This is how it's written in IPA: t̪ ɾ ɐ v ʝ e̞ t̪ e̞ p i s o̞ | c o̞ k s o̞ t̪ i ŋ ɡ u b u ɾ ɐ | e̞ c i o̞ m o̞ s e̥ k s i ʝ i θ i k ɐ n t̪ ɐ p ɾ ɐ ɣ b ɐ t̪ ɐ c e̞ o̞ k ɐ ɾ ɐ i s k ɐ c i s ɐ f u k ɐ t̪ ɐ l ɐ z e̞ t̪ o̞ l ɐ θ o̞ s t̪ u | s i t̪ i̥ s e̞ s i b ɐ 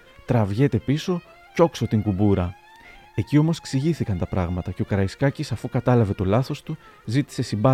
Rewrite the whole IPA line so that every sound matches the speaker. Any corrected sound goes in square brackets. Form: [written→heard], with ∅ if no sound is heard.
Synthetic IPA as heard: t̪ ɾ ɐ v ʝ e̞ t̪ e̞ p i s o̞ | c o̞ k s o̞ t̪ i ŋ ɡ u b u ɾ ɐ | e̞ c i o̞ m o̞ s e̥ k s i ʝ i θ i k ɐ n t̪ ɐ p ɾ ɐ ɣ [b→m] ɐ t̪ ɐ c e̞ o̞ k ɐ ɾ ɐ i s k ɐ c i s ɐ f u k ɐ t̪ ɐ l ɐ [z→v] e̞ t̪ o̞ l ɐ θ o̞ s t̪ u | [s→z] i t̪ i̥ s e̞ s i b ɐ